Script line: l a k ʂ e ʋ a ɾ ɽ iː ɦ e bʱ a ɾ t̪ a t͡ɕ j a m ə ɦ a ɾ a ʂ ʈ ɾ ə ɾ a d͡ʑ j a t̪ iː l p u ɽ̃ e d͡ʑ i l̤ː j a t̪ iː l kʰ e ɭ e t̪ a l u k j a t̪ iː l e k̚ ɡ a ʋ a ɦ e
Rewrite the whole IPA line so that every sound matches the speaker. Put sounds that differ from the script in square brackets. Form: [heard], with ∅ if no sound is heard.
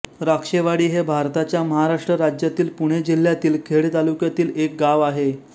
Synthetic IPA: [ɾ] a k ʂ e ʋ a [∅] ɽ iː ɦ e bʱ a ɾ t̪ a t͡ɕ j a m ə ɦ a ɾ a ʂ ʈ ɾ ə ɾ a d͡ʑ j a t̪ iː l p u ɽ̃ e d͡ʑ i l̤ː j a t̪ iː l kʰ e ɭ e t̪ a l u k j a t̪ iː l e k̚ ɡ a ʋ a ɦ e